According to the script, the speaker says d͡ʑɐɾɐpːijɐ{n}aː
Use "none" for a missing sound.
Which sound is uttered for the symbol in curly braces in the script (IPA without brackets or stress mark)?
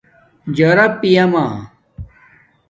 m